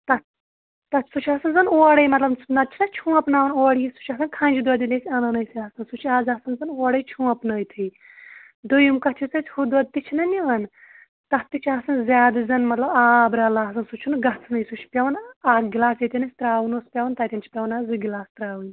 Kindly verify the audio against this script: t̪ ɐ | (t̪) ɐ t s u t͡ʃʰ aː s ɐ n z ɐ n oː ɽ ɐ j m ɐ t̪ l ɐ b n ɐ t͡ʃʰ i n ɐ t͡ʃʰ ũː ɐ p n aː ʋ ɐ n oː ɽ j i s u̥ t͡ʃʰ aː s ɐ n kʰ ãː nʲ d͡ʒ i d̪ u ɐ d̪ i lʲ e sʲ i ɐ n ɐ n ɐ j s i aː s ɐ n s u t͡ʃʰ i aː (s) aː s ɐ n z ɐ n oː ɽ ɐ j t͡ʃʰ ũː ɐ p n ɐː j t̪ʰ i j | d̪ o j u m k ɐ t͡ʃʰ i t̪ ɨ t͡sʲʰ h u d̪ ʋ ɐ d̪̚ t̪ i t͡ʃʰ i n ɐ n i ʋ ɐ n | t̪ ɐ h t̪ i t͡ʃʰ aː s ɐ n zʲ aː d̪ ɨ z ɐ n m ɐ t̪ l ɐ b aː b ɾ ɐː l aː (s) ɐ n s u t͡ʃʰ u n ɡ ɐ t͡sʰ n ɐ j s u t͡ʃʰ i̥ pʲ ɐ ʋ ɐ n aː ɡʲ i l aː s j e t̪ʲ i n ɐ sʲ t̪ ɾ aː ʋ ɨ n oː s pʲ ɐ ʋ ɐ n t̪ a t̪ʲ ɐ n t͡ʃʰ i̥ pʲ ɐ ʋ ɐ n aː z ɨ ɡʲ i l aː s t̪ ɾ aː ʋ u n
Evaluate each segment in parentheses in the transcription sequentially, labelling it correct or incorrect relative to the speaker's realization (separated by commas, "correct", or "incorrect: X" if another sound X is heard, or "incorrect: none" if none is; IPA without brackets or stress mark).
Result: correct, incorrect: z, correct